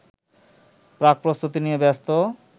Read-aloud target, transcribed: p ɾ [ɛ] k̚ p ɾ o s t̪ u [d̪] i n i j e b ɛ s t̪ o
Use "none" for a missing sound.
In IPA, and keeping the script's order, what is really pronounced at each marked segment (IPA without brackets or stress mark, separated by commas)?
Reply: a, t̪